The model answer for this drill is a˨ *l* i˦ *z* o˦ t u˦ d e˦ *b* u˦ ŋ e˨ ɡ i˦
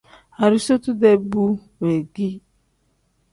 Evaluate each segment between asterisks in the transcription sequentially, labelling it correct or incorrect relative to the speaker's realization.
incorrect: ɾ, incorrect: s, correct

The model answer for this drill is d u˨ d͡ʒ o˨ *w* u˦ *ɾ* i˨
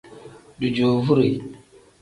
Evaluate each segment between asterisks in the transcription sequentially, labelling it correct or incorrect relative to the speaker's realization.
incorrect: v, correct

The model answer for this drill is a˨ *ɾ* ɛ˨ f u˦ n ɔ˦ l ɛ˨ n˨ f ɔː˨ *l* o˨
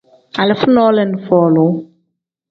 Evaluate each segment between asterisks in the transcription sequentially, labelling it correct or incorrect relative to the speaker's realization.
incorrect: l, correct

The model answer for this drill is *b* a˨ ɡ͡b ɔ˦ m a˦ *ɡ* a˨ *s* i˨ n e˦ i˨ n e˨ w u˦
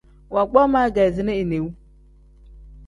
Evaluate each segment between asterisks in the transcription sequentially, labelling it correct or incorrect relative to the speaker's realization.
incorrect: w, correct, incorrect: z

